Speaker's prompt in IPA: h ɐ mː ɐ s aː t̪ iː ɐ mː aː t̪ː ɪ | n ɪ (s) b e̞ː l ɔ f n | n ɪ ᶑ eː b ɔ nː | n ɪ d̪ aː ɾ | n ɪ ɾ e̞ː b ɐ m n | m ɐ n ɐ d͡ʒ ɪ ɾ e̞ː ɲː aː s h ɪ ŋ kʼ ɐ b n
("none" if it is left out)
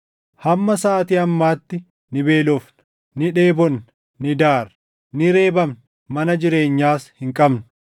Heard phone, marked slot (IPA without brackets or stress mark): none